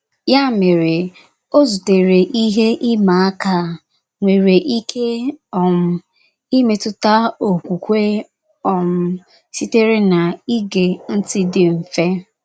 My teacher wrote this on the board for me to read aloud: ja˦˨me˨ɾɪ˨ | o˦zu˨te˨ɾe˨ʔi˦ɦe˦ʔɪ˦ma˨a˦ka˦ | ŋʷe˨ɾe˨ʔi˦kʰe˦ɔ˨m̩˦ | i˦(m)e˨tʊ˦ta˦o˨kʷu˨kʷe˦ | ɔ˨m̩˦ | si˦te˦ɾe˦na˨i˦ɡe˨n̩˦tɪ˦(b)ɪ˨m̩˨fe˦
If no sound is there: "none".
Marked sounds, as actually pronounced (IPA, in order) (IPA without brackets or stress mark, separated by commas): m, d